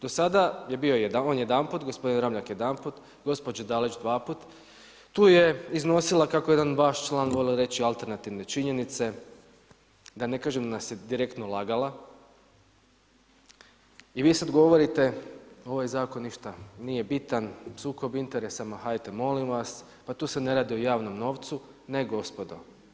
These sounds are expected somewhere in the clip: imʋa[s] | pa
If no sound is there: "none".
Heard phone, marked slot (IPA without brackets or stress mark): s